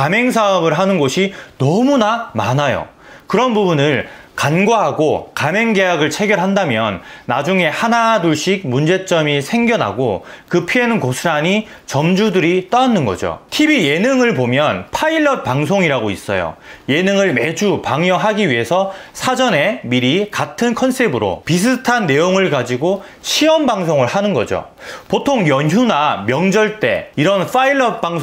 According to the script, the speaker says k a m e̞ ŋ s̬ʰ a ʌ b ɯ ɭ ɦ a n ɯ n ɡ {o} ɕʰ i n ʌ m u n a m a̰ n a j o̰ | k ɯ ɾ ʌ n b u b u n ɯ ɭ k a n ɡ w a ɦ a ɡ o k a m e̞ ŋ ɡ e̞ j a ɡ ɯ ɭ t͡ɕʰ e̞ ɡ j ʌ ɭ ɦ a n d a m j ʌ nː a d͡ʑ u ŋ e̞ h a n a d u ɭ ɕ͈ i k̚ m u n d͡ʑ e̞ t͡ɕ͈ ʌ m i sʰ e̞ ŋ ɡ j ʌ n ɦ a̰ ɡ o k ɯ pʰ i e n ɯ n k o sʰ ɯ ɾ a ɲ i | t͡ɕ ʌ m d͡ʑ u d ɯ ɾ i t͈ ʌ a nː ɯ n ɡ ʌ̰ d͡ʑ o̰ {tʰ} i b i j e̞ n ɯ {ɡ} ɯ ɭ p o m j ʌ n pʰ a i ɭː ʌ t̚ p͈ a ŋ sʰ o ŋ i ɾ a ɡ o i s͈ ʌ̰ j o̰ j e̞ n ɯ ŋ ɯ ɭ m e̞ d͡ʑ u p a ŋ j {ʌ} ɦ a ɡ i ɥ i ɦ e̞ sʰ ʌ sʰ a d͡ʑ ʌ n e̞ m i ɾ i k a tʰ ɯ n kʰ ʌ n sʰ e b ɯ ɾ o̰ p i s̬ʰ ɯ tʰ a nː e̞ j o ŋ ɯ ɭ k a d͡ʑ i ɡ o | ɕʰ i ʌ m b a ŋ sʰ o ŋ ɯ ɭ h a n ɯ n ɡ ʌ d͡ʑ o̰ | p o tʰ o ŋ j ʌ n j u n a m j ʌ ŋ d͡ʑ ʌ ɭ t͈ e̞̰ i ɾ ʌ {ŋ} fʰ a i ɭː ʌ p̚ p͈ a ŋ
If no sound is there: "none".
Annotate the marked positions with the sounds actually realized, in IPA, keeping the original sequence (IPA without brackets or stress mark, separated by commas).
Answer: o, tʰ, ŋ, ʌ, n